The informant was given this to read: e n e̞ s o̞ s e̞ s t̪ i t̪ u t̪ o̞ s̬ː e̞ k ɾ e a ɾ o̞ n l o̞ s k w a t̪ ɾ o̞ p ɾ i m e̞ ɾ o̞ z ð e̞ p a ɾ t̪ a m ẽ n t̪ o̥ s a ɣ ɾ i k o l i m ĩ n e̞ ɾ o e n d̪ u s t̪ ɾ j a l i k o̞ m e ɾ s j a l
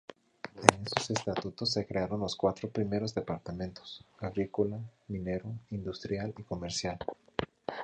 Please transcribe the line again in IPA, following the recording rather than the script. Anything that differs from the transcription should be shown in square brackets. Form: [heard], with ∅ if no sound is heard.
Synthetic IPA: e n e̞ s o̞ s e̞ s t̪ [a] t̪ u t̪ o̞ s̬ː e̞ k ɾ e a ɾ o̞ n l o̞ s k w a t̪ ɾ o̞ p ɾ i m e̞ ɾ o̞ z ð e̞ p a ɾ t̪ a m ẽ n t̪ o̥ s a ɣ ɾ i k o l [a] m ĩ n e̞ ɾ o [i] n d̪ u s t̪ ɾ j a l i k o̞ m e ɾ s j a l